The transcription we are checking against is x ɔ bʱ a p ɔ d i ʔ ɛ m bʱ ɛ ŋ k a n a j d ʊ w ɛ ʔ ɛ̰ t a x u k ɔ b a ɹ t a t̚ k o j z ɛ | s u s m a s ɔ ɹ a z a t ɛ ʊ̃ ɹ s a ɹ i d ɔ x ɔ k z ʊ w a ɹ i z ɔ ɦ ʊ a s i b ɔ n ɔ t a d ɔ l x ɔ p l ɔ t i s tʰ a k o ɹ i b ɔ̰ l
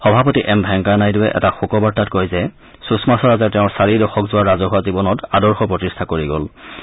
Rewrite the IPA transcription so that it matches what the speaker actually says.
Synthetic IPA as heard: x ɔ bʱ a p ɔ t i ʔ ɛ m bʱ ɛ ŋ k a n a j d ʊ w ɛ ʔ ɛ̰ t a x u k ɔ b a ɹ t a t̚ k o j z ɛ | s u s m a s ɔ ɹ a z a t ɛ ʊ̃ ɹ s a ɹ i d ɔ x ɔ k z ʊ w a ɹ a z ɔ ɦ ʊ a z i b ɔ n ɔ t a d ɔ ɹ x ɔ p ɹ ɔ t i s tʰ a k o ɹ i ɡ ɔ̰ l